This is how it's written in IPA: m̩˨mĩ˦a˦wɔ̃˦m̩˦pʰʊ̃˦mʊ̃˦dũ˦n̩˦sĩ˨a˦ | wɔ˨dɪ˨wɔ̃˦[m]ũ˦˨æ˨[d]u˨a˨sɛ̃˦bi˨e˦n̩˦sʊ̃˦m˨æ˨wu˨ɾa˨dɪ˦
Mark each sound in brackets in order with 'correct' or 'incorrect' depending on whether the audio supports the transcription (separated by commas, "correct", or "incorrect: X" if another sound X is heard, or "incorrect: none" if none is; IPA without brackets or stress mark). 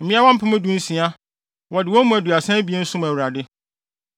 correct, correct